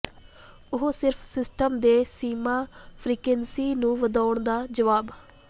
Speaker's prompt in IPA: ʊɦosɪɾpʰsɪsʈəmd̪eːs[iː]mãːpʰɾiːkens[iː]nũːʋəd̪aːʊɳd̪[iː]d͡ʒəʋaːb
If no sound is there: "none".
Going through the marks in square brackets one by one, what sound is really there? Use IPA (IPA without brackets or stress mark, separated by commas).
iː, iː, aː